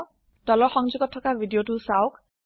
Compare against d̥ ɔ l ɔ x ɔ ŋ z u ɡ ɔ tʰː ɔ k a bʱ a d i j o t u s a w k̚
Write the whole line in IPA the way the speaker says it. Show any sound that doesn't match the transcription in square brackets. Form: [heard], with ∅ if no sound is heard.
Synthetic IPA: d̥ ɔ l ɔ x ɔ ŋ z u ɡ ɔ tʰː ɔ k a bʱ [i] d i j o t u s a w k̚